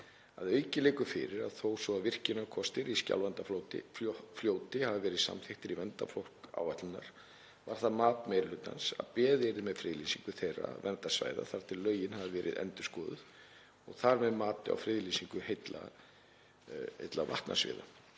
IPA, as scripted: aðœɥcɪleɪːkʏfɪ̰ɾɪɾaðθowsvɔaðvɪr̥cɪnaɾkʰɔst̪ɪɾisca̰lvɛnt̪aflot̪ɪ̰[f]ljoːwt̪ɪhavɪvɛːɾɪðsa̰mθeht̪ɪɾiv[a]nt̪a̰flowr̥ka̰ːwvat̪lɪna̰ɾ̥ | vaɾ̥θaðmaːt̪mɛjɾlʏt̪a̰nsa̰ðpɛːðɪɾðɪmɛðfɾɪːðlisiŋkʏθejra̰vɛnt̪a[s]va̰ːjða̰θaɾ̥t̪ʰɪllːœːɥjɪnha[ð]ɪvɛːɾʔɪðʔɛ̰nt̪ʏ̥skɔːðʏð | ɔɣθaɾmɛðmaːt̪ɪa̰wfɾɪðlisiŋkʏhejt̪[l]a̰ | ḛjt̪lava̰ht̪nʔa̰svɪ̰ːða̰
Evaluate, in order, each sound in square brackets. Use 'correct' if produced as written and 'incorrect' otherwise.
correct, incorrect, correct, incorrect, correct

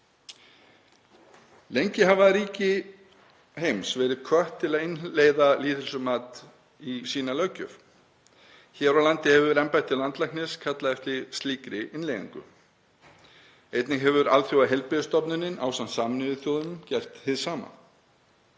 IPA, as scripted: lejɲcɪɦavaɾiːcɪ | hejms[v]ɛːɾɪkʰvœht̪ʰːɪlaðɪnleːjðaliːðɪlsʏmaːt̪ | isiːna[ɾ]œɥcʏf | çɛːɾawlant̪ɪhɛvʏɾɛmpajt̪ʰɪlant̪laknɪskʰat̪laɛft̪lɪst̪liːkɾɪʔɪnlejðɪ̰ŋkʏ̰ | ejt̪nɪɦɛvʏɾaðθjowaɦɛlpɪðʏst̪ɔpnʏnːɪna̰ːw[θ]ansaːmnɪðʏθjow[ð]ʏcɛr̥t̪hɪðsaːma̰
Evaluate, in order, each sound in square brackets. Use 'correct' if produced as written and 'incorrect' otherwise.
correct, incorrect, incorrect, correct

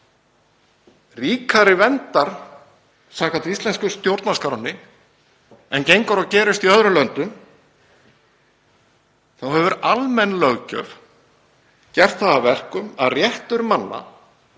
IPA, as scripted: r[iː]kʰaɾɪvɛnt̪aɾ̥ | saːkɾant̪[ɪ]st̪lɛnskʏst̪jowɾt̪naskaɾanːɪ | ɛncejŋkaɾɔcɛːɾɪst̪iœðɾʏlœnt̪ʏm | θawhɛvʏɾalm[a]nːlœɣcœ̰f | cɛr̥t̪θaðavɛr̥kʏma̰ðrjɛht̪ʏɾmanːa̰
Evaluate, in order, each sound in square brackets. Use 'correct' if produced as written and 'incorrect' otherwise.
correct, incorrect, incorrect

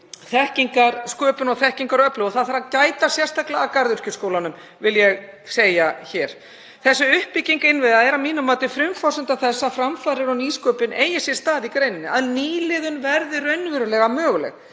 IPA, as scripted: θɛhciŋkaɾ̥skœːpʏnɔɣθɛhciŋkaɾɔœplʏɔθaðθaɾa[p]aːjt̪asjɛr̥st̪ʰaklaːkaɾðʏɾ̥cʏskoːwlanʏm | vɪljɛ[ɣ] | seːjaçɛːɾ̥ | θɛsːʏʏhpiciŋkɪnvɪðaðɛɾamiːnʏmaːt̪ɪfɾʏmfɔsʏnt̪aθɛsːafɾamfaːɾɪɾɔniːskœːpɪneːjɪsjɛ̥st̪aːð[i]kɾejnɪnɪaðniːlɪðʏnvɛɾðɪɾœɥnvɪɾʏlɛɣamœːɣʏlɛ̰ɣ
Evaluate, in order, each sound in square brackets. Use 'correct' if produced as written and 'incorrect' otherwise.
incorrect, correct, correct

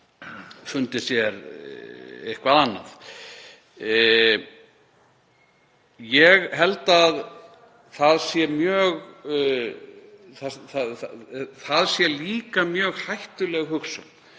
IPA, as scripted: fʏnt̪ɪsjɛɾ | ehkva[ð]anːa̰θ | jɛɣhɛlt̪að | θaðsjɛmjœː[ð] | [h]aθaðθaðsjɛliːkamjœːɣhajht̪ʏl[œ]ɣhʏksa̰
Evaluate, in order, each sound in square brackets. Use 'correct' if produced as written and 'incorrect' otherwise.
correct, incorrect, incorrect, incorrect

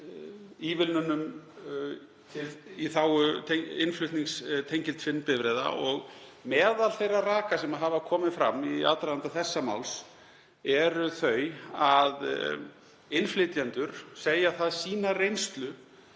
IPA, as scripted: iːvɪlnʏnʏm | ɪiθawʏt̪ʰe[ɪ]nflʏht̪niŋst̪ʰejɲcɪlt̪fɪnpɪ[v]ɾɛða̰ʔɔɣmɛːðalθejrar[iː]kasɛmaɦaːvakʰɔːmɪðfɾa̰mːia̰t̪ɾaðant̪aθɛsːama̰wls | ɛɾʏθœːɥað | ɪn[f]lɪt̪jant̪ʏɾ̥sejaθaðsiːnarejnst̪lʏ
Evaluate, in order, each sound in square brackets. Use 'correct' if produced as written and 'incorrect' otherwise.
correct, correct, incorrect, correct

